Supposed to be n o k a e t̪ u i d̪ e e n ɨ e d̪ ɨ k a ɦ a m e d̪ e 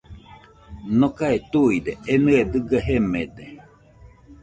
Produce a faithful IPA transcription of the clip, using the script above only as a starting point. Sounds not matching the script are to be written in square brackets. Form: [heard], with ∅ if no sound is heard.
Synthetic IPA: n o k a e t̪ u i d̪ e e n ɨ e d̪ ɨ [ɡ] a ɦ [e] m e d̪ e